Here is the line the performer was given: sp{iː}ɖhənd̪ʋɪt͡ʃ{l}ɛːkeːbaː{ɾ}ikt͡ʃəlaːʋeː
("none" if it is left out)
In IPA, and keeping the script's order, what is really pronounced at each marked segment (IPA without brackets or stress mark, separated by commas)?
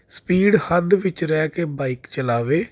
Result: iː, ɾ, none